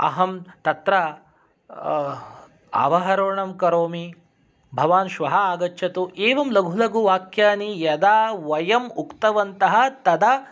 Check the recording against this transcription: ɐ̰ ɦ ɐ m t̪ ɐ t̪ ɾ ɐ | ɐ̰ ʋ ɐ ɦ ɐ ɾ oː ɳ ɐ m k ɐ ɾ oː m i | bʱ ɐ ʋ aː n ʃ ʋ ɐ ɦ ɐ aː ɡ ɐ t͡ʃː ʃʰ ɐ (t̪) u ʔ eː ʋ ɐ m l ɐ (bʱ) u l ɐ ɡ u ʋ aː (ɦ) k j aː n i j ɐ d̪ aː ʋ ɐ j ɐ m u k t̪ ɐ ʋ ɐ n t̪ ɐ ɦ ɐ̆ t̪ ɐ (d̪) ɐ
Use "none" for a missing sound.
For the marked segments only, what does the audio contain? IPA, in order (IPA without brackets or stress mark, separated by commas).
t̪, ɡʱ, none, d̪